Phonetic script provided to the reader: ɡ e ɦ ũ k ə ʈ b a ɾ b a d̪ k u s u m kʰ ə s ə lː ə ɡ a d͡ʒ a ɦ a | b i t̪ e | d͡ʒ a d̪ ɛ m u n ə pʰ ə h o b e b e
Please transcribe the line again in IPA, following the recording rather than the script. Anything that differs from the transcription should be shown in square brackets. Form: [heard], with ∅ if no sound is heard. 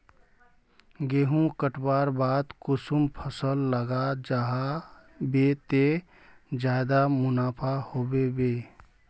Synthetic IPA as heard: ɡ e ɦ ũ k ə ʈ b a ɾ b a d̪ k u s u m [pʰ] ə s ə lː ə ɡ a d͡ʒ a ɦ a | b [e] t̪ e | d͡ʒ a d̪ [a] m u n [a] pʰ [a] h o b e b e

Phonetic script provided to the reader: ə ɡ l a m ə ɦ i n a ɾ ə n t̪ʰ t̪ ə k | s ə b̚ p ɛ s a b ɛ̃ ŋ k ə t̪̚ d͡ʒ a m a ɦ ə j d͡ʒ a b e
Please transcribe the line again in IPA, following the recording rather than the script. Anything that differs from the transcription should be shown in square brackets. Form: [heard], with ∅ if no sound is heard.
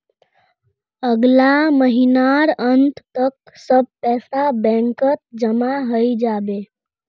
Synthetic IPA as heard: ə ɡ l a m ə ɦ i n a ɾ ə n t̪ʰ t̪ ə k | s ə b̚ p ɛ s a b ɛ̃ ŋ k ə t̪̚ d͡ʒ [ə] m a ɦ ə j d͡ʒ a b e

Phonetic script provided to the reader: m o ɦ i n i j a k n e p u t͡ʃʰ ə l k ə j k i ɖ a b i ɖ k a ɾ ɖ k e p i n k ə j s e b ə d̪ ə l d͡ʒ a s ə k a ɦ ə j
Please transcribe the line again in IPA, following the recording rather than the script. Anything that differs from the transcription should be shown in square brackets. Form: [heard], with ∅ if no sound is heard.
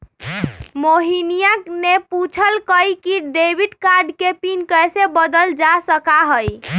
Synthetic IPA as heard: m o ɦ i n i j a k n e p u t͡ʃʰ ə l k ə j k i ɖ [e] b i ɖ k a ɾ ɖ k e p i n k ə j s e b ə d̪ ə l d͡ʒ a s ə k a ɦ ə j

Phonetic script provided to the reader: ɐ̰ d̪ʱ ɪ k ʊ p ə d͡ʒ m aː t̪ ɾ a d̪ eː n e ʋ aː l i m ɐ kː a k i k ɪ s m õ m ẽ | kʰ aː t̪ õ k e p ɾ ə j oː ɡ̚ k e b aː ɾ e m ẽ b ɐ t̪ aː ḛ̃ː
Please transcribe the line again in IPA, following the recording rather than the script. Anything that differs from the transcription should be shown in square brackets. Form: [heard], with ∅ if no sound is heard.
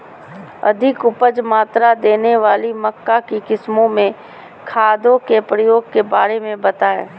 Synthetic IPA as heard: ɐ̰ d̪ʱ ɪ k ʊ p ə d͡ʒ m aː t̪ ɾ a d̪ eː n e ʋ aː l i m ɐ kː a k i k ɪ s m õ m ẽ | kʰ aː [d̪] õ k e p ɾ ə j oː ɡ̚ k e b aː ɾ e m ẽ b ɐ t̪ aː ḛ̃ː

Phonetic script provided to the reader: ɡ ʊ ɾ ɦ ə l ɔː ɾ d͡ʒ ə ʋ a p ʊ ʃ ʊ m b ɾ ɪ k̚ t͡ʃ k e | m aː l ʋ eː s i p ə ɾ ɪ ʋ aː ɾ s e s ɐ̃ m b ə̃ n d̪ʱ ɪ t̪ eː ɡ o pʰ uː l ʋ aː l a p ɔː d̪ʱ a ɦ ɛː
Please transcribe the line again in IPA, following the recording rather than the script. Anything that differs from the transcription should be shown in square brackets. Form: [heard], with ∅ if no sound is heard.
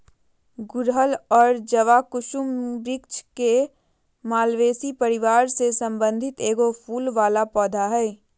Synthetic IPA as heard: ɡ ʊ ɾ ɦ ə l ɔː ɾ d͡ʒ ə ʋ a [k] ʊ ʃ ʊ m b ɾ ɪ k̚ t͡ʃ k e | m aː l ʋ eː s i p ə ɾ ɪ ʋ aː ɾ s e s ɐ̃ m b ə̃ n d̪ʱ ɪ t̪ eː ɡ o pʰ uː l ʋ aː l a p ɔː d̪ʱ a ɦ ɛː

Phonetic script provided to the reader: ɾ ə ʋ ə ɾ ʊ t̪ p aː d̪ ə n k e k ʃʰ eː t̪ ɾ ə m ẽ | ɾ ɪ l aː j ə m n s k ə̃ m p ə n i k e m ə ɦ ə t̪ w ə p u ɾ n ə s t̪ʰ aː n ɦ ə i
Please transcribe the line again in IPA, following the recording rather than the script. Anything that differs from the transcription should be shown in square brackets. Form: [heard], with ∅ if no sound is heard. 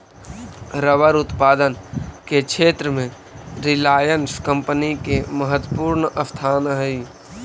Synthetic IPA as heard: ɾ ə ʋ ə ɾ ʊ t̪ p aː d̪ ə n k e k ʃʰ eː t̪ ɾ ə m ẽ | ɾ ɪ l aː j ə [∅] n s k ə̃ m p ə n i k e m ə ɦ ə t̪ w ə p [uː] ɾ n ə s t̪ʰ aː n ɦ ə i

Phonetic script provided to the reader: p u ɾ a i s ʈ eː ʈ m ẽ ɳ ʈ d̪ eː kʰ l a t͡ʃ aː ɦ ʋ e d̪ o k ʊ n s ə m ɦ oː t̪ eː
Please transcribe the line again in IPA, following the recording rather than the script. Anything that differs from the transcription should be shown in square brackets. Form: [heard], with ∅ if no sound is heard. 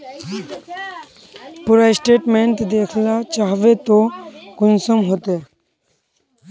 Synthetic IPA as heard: p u ɾ a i s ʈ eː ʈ m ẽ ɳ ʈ d̪ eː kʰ l a t͡ʃ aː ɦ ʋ e [t̪] o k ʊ n s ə m ɦ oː t̪ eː

